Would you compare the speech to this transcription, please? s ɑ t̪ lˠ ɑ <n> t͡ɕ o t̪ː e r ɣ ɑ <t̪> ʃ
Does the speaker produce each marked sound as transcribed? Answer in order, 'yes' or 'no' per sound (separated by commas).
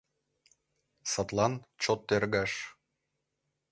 yes, no